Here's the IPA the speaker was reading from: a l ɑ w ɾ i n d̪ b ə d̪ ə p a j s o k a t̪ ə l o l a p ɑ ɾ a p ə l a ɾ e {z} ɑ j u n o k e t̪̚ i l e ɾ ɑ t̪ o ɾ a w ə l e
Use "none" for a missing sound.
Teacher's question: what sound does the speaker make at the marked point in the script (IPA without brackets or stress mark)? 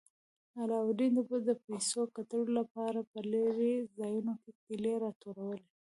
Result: z